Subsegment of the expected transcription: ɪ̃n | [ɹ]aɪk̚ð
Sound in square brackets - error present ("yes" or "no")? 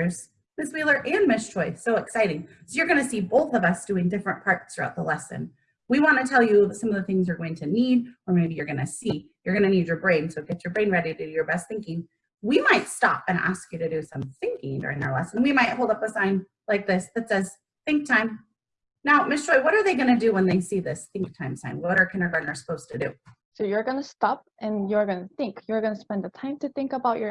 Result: yes